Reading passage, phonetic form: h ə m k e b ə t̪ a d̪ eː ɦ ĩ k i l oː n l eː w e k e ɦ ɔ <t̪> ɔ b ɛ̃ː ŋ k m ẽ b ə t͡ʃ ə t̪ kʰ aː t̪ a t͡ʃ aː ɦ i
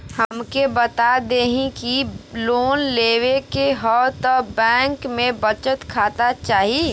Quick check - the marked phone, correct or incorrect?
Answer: correct